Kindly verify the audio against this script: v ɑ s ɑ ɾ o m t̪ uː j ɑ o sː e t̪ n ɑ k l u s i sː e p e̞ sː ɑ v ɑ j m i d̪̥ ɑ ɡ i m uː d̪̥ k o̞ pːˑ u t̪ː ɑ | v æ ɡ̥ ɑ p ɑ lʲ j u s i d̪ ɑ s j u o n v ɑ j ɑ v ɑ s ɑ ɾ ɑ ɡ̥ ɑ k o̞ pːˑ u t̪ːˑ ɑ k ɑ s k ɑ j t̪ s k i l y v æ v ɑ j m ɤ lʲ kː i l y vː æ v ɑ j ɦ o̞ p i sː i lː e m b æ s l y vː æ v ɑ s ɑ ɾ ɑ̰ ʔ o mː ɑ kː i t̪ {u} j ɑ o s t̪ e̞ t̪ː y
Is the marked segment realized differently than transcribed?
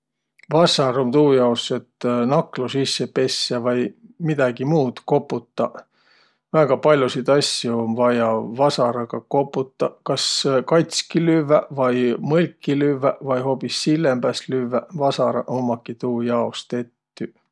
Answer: yes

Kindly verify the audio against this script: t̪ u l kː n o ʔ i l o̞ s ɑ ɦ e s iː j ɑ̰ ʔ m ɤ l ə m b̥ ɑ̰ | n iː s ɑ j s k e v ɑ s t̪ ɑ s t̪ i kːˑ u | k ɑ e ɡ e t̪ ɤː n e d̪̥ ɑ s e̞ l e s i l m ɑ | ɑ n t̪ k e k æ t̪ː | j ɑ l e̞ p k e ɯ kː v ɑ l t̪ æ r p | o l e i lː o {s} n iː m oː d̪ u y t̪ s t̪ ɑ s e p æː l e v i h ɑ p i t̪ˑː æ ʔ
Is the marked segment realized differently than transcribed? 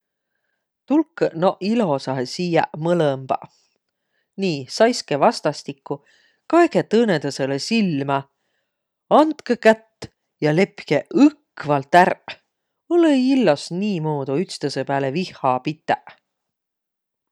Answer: no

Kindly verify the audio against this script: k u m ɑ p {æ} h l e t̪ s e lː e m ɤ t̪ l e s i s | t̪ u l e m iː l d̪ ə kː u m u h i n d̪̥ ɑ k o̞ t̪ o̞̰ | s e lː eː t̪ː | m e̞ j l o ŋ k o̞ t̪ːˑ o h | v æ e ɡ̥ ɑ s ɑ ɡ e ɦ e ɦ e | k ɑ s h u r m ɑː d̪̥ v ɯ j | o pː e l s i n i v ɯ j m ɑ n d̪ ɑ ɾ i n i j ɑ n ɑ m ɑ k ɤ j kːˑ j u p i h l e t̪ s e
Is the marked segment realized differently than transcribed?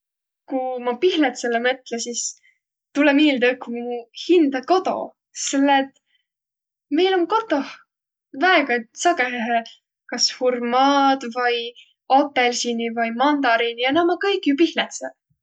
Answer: yes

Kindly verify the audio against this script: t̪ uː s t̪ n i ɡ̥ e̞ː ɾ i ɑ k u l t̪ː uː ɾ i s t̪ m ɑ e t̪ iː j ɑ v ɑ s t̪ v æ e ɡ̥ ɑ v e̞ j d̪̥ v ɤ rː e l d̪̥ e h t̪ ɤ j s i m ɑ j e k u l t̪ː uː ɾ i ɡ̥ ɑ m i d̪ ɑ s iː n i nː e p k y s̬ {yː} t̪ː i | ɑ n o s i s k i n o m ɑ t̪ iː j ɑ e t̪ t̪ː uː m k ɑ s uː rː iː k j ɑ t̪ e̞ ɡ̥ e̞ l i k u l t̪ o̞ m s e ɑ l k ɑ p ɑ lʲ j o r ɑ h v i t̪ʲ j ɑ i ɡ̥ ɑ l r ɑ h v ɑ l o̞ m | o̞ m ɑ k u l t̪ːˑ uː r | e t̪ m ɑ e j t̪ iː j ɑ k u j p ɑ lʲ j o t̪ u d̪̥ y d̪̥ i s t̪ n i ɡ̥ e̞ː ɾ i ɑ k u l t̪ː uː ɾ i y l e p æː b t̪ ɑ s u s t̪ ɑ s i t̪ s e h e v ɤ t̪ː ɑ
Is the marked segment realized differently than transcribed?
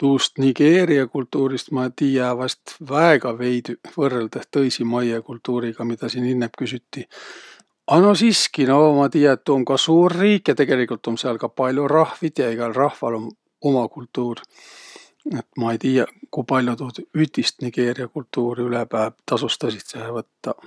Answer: yes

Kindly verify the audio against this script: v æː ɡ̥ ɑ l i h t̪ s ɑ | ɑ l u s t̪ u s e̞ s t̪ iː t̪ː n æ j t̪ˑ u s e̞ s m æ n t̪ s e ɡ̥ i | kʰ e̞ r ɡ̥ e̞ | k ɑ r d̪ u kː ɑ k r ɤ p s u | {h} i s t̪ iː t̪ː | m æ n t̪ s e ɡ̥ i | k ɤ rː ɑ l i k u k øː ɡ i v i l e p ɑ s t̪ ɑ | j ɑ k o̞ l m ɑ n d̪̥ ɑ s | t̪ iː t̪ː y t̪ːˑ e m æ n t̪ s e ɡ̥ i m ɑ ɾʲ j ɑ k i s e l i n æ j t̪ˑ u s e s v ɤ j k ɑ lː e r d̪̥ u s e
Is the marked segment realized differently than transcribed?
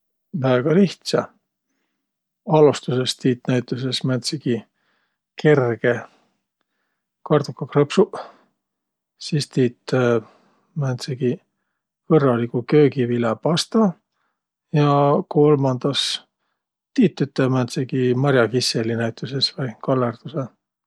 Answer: yes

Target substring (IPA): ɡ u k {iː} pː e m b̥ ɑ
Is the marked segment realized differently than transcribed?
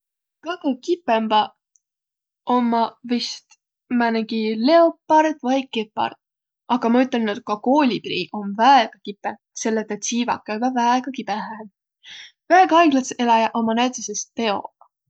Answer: yes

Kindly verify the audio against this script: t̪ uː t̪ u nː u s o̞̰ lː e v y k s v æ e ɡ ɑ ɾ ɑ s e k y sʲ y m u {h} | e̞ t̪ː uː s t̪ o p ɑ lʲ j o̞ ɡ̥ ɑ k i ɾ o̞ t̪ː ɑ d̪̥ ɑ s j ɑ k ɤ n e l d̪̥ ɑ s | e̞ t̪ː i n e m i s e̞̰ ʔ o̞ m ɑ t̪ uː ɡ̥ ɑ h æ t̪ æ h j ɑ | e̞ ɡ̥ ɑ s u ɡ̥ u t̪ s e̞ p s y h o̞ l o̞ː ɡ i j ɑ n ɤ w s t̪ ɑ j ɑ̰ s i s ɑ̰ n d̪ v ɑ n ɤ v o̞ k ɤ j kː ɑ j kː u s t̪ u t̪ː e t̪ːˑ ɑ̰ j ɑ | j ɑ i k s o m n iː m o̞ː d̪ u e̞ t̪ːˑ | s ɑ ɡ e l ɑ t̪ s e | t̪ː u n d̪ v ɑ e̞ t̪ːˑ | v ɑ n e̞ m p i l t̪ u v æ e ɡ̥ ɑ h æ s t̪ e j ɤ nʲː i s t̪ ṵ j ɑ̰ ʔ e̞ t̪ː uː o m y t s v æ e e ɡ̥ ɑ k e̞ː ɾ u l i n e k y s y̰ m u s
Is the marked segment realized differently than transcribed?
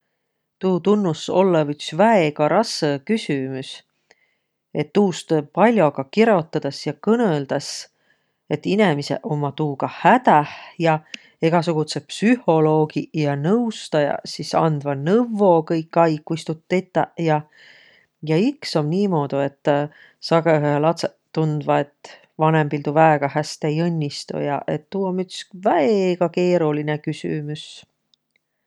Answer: yes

